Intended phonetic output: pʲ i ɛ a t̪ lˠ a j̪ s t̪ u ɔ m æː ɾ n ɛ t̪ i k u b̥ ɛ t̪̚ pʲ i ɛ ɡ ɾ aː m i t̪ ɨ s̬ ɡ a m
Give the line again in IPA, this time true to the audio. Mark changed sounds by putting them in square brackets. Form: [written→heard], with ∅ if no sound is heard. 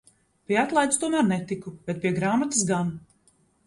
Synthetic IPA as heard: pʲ i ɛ a t̪ lˠ a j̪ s t̪ u ɔ m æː ɾ n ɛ t̪ i k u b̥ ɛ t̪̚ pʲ i ɛ ɡ ɾ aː m [i→a] t̪ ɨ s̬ ɡ a [m→n]